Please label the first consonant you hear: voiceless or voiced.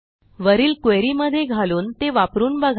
voiced